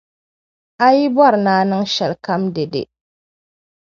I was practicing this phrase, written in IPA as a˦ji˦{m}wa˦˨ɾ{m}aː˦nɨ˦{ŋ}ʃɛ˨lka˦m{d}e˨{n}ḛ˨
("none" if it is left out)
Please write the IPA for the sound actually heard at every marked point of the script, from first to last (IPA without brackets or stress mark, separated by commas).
b, n, ŋ, d, d